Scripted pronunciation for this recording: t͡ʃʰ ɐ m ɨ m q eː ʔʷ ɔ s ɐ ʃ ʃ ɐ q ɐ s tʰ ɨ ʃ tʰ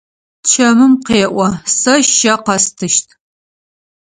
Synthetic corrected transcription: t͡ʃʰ ɐ m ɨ m q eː ʔʷ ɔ s ɐ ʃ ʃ ɐ q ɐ s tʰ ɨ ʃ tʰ

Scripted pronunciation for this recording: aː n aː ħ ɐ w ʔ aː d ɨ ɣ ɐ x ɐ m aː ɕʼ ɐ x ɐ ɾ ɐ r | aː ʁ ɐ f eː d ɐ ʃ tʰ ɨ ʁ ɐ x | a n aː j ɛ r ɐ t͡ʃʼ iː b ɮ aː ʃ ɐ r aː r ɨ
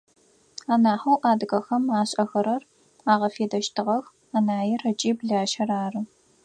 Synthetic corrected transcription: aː n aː ħ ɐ w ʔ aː d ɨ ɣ ɐ x ɐ m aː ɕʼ ɐ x ɐ ɾ ɐ r | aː ʁ ɐ f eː d ɐ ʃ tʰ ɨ ʁ ɐ x | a n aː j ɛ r ɐ t͡ʃʼ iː b ɮ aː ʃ ɐ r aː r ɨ

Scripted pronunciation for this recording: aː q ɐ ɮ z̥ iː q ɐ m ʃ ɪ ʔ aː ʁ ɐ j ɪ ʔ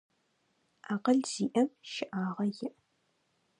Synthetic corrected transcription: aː q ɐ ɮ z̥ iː ʔ ɐ m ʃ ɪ ʔ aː ʁ ɐ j ɪ ʔ

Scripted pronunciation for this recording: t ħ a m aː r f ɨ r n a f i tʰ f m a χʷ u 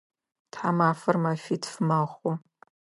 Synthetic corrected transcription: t ħ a m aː f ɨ r m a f i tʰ f m a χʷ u

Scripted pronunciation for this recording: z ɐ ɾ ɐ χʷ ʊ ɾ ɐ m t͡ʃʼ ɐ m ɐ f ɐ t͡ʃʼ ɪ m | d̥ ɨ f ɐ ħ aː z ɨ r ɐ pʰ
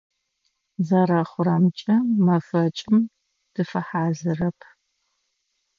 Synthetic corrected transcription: z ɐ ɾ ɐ χʷ ʊ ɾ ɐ m t͡ʃʼ ɐ m ɐ f ɐ t͡ʃʼ ɪ m | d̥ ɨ f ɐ ħ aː z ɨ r ɐ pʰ

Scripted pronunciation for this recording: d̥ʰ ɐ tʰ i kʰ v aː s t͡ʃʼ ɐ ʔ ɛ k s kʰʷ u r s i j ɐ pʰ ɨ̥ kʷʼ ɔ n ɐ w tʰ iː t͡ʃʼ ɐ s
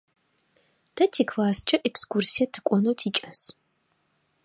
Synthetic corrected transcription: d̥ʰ ɐ tʰ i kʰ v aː s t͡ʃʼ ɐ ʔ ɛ k s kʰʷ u r s i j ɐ tʰ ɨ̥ kʷʼ ɔ n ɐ w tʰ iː t͡ʃʼ ɐ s

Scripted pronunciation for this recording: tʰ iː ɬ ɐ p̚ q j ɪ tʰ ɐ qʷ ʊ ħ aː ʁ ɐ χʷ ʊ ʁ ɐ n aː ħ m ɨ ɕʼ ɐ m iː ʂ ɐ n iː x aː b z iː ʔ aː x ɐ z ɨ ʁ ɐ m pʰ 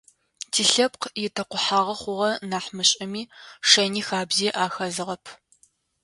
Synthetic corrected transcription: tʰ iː ɬ ɐ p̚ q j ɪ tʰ ɐ qʷ ʊ ħ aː ʁ ɐ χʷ ʊ ʁ ɐ n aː ħ m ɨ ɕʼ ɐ m iː ʂ ɐ n iː x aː b z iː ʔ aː x ɐ z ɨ ʁ ɐ pʰ

